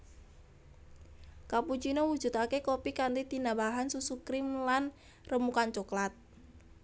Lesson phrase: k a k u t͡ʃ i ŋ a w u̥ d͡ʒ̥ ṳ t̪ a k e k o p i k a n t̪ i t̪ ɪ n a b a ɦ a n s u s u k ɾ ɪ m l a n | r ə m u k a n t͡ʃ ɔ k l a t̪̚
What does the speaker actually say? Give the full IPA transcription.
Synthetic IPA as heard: k a p u t͡ʃ i n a w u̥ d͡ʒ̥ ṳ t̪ a k e k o p i k a n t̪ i t̪ i n a b a ɦ a n s u s u k ɾ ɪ m l a n | r ə m u k a n t͡ʃ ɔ k l a t̪̚